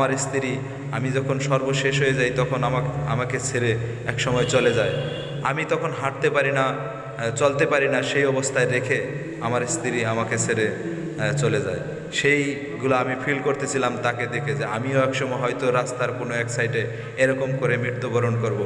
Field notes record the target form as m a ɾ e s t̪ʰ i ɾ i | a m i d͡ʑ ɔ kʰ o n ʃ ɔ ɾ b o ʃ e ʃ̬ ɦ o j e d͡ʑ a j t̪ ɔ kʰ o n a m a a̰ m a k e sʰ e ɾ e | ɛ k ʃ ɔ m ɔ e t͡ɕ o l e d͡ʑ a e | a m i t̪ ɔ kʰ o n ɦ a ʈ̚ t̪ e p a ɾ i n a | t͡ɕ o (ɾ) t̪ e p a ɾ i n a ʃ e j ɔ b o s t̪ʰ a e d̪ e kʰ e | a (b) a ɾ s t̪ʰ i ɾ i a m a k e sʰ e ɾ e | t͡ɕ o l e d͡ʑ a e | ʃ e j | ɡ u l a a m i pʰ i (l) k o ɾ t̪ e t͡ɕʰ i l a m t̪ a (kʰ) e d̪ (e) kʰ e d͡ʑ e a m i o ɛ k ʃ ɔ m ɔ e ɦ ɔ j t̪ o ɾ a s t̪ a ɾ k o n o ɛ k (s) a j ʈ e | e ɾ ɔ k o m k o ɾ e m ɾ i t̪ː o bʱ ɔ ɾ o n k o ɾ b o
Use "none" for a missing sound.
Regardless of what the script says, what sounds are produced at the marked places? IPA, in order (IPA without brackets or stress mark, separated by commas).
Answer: l, m, l, k, e, s